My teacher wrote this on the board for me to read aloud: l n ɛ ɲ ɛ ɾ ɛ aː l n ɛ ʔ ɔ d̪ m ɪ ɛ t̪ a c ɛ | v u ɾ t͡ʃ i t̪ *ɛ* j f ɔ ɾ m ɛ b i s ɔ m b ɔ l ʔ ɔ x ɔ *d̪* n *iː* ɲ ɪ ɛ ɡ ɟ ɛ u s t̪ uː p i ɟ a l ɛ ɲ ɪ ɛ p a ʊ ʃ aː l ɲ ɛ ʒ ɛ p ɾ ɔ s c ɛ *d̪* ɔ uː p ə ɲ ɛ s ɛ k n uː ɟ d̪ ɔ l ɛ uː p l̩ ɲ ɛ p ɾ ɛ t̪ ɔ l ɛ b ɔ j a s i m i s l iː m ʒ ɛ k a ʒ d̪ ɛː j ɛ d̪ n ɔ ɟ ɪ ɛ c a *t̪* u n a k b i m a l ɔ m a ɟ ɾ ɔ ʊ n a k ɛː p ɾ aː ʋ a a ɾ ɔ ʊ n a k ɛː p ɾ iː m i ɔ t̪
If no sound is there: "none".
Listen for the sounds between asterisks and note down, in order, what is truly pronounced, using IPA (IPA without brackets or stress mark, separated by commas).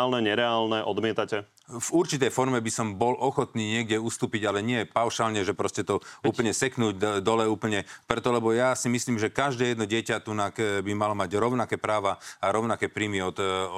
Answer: ɛ, t̪, iː, t̪, t̪